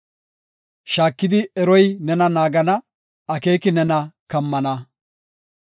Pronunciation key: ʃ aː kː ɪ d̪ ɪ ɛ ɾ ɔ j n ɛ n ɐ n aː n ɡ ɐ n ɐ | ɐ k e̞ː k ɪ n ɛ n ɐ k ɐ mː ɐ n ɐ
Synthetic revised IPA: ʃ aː kː ɪ d̪ ɪ ɛ ɾ ɔ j n ɛ n ɐ n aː ɡ ɐ n ɐ | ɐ k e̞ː k ɪ n ɛ n ɐ k ɐ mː ɐ n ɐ